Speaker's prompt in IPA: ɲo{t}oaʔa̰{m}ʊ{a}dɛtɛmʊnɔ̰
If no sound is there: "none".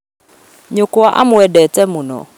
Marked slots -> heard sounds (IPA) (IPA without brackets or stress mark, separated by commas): k, m, ɛ